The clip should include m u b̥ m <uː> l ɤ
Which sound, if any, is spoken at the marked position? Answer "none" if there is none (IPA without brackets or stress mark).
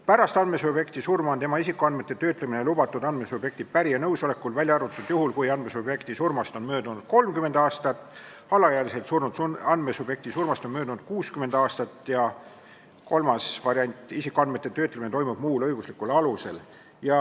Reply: uː